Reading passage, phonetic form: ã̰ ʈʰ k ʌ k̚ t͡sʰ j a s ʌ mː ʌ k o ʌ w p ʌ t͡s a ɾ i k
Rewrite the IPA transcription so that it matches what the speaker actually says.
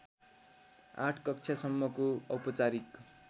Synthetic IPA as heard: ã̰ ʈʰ k ʌ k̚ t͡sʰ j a s ʌ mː ʌ k o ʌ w p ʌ t͡s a ɾ i k